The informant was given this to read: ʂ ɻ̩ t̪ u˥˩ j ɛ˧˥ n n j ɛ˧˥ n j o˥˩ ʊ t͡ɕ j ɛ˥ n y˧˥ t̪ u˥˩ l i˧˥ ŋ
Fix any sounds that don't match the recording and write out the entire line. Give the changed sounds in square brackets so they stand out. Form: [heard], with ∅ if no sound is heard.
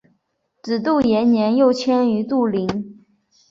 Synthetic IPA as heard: [ʈ͡ʂ] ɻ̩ t̪ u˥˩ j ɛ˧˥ n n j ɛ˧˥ n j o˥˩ ʊ [t͡ɕʰ] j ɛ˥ n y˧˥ t̪ u˥˩ l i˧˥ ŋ